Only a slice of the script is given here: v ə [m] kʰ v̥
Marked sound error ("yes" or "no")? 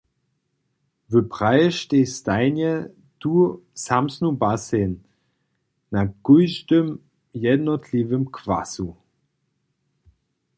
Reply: no